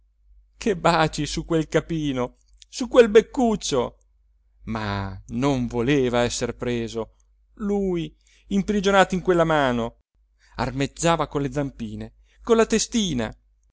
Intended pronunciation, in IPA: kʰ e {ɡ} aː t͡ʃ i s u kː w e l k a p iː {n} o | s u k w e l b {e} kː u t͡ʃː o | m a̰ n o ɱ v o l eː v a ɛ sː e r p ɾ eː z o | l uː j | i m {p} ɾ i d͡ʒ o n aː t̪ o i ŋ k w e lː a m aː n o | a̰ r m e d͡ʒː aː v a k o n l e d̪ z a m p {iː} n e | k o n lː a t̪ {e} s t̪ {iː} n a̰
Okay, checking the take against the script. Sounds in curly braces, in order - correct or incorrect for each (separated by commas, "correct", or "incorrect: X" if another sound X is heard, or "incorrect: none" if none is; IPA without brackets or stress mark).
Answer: incorrect: b, correct, correct, correct, correct, correct, correct